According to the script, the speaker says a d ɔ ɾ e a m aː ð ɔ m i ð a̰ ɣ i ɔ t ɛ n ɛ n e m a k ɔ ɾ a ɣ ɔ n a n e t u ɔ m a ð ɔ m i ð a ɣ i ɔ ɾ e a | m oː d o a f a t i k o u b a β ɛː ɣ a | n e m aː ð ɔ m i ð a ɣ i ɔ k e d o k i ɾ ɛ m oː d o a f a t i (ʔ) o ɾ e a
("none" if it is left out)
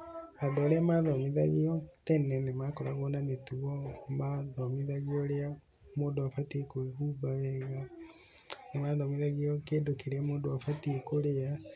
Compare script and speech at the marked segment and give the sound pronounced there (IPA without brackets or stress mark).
k